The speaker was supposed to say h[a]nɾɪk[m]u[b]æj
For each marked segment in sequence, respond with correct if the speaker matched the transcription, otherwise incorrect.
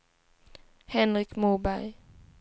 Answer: incorrect: ɛ, correct, correct

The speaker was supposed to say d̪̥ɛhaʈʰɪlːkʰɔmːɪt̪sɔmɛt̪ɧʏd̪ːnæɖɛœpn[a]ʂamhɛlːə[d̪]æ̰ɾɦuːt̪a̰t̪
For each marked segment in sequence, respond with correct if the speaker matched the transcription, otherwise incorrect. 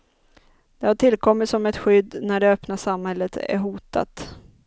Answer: correct, incorrect: t̪

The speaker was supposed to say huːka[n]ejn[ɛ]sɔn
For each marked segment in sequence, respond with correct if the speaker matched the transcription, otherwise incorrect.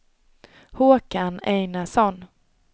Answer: correct, incorrect: a

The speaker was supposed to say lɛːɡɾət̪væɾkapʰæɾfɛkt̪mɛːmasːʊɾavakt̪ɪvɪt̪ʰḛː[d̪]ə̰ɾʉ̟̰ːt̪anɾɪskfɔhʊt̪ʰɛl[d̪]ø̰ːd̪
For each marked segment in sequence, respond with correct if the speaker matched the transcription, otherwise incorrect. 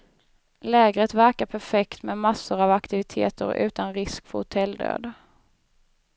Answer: incorrect: t̪, correct

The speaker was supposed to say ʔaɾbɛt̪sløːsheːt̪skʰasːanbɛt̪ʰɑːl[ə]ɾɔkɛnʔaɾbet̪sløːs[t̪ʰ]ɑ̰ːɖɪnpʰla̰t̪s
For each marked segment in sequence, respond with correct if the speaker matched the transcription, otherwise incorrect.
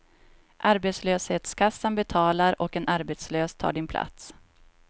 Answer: incorrect: a, correct

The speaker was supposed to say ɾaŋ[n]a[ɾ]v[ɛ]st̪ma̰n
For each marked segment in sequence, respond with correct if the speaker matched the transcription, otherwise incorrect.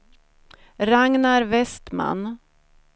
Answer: correct, correct, correct

